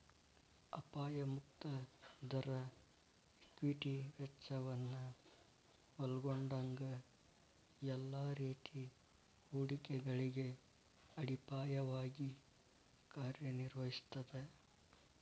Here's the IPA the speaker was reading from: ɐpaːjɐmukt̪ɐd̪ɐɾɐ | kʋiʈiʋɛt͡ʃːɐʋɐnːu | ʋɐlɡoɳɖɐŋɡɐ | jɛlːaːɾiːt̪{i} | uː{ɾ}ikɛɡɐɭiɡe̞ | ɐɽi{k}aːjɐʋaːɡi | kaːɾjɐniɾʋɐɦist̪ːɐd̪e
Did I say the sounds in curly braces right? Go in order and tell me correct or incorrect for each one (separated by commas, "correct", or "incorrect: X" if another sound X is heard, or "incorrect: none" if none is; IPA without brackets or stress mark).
correct, incorrect: ɽ, incorrect: p